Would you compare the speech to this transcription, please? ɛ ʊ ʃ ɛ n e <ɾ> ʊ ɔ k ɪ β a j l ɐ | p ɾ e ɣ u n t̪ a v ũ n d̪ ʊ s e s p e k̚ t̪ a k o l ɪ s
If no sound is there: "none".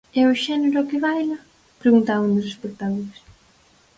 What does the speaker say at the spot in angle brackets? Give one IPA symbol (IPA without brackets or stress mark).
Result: ɾ